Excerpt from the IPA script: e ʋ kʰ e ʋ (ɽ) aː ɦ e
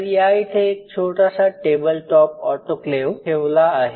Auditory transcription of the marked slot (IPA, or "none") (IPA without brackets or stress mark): l